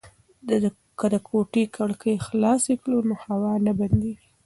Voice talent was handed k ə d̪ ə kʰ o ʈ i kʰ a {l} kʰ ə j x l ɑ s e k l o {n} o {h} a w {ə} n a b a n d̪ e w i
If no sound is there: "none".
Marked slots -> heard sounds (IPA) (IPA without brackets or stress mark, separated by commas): ɽ, n, h, ɑ